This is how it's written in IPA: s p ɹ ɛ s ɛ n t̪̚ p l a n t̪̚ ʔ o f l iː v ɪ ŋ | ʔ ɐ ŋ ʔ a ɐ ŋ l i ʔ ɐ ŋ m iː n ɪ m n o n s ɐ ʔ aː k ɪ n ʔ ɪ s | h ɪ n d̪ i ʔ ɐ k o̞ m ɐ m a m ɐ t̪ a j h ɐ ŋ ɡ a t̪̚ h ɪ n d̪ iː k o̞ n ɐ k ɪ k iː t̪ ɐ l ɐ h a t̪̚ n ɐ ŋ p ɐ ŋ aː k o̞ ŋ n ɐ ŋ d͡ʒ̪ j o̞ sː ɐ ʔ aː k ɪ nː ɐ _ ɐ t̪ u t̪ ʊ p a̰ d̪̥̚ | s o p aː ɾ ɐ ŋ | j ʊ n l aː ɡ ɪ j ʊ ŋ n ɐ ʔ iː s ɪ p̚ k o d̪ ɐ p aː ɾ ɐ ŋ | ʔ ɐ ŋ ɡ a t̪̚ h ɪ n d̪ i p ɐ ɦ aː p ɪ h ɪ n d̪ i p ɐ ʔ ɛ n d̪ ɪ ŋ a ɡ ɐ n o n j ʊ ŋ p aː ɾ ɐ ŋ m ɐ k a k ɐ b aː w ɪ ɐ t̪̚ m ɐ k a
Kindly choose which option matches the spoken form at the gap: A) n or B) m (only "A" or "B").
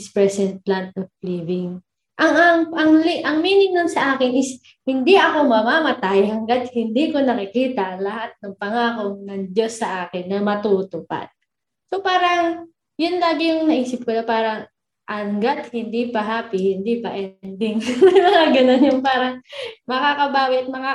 B